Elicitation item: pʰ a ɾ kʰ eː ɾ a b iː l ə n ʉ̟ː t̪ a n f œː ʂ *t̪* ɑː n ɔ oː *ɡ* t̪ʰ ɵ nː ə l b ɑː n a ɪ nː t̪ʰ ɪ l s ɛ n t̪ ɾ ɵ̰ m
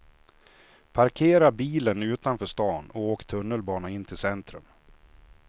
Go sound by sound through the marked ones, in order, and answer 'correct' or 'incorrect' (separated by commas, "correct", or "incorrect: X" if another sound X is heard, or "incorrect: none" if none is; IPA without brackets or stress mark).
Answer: correct, incorrect: k